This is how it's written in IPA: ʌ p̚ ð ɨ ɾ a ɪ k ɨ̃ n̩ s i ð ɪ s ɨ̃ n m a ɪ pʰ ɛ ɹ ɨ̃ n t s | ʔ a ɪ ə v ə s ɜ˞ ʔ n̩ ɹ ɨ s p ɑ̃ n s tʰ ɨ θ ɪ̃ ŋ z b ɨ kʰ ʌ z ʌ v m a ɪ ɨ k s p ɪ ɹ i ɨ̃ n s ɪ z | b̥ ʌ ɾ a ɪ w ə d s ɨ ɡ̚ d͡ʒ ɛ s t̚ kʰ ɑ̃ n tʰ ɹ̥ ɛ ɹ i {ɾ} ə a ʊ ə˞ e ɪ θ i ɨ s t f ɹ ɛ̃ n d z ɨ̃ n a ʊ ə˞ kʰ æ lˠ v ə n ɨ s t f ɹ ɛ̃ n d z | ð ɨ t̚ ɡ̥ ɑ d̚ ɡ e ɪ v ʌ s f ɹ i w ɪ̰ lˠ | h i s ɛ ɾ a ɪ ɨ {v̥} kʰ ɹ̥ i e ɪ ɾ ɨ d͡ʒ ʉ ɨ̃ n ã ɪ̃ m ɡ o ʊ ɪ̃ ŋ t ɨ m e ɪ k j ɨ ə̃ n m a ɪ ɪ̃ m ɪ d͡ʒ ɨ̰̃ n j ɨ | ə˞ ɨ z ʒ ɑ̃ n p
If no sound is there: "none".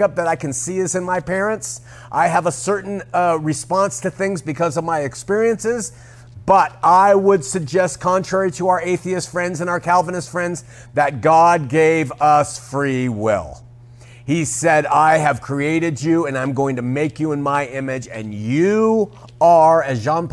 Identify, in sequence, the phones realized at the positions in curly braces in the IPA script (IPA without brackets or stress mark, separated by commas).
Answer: ɾ, v̥